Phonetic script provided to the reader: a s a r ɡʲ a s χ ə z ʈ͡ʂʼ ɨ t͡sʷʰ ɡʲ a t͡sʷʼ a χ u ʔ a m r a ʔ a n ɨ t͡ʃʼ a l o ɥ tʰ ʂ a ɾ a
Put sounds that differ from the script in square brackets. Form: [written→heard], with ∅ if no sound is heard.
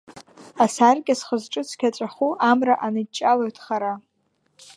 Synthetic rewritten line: a s a r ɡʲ a s χ ə z ʈ͡ʂʼ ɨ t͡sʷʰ [ɡʲ→kʲ] a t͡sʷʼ a χ u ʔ a m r a ʔ a n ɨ t͡ʃʼ a l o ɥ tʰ [ʂ→χ] a ɾ a